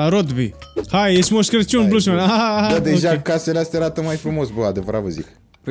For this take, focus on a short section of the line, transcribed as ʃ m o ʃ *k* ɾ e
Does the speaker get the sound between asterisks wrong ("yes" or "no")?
no